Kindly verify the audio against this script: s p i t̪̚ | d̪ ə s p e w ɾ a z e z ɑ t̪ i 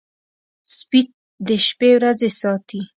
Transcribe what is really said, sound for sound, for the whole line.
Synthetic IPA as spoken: s p i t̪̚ | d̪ ə ʃ p e w ɾ a z e s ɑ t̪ i